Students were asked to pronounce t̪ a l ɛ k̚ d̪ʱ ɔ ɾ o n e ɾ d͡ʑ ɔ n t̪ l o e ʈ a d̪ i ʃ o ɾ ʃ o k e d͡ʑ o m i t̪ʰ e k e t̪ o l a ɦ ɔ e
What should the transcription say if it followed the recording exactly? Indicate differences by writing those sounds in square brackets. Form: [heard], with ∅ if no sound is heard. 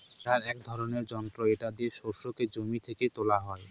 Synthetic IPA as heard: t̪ a [ɾ] ɛ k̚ d̪ʱ ɔ ɾ o n e ɾ d͡ʑ ɔ n t̪ [ɾ] o e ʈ a d̪ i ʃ o ɾ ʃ o k e d͡ʑ o m i t̪ʰ e k e t̪ o l a ɦ ɔ e